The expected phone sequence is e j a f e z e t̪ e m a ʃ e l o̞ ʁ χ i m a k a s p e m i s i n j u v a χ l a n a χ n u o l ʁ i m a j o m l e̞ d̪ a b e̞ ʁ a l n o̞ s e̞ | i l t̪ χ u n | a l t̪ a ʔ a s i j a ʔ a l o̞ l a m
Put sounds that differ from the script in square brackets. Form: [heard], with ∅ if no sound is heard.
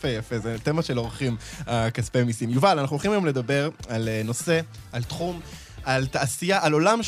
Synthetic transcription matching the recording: e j a f e z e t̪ e m a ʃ e l o̞ ʁ χ i m a k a s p e m i s i [m] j u v a [∅] l a n a χ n u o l [χ] i m a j o m l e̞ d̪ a b e̞ ʁ a l n o̞ s e̞ | [a] l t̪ χ u [m] | a l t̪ a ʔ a s i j a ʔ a l o̞ l a m